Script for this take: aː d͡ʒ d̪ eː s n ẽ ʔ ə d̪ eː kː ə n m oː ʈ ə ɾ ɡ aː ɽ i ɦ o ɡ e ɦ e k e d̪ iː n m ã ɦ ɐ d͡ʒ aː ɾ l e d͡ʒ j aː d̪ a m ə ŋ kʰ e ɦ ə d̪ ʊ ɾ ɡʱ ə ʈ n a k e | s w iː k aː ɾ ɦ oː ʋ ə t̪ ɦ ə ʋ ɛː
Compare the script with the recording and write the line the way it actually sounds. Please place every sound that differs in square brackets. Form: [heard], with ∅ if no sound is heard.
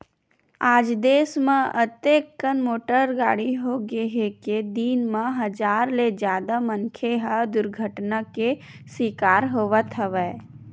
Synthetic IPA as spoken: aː d͡ʒ d̪ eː s [m] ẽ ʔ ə [t̪] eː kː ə n m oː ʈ ə ɾ ɡ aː ɽ i ɦ o ɡ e ɦ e k e d̪ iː n m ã ɦ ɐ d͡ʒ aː ɾ l e d͡ʒ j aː d̪ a m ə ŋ kʰ e ɦ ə d̪ ʊ ɾ ɡʱ ə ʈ n a k e | s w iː k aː ɾ ɦ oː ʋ ə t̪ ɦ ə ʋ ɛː